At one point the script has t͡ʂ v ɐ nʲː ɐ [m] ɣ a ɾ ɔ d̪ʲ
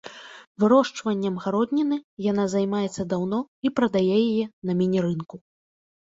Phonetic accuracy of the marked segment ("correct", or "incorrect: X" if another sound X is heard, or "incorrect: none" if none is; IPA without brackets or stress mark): correct